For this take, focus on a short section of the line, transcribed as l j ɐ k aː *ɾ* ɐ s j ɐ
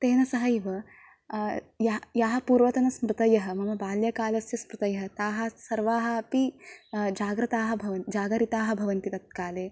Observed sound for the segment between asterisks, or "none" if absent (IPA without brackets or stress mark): l